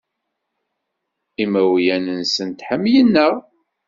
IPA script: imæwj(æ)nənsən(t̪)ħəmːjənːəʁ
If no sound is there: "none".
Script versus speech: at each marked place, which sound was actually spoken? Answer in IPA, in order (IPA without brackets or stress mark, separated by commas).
æ, t̪